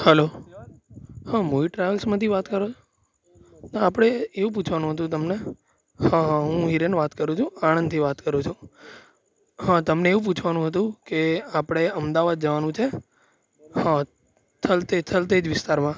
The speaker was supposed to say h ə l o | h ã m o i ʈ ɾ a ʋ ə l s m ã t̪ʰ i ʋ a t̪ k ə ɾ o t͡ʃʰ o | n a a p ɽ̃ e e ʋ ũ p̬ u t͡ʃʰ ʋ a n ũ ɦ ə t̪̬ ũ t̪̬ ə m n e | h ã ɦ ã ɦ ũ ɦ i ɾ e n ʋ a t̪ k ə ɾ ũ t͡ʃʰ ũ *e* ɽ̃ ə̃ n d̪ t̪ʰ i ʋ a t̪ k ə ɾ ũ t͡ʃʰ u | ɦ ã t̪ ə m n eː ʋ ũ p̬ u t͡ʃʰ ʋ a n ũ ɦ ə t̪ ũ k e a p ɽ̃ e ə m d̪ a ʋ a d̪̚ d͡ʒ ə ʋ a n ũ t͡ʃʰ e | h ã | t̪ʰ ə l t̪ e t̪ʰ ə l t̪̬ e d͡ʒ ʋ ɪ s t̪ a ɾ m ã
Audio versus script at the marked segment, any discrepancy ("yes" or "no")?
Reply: yes